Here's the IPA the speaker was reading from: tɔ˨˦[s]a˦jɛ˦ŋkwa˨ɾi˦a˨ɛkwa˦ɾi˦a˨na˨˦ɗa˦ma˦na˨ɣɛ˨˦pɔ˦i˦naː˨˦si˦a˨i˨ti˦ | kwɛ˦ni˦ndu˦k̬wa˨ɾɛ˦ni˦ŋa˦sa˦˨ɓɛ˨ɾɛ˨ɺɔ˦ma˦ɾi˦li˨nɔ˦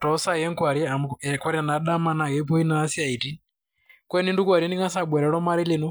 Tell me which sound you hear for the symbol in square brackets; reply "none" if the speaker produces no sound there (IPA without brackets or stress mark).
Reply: s